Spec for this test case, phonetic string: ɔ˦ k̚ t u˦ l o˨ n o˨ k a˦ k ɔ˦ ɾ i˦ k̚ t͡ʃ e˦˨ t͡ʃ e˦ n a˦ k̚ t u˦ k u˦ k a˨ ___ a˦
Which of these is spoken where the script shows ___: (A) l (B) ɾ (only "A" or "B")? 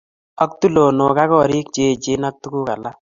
A